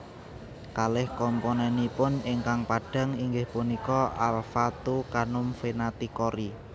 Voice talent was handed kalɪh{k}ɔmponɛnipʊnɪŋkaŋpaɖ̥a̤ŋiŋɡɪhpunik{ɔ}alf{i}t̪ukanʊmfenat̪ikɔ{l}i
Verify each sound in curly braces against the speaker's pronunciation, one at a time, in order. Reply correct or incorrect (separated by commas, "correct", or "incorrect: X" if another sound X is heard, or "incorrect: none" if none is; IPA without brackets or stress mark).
correct, correct, incorrect: a, incorrect: ɾ